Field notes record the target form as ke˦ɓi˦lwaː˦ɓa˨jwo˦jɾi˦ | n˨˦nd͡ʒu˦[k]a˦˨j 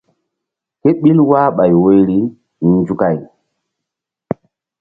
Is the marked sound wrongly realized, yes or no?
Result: no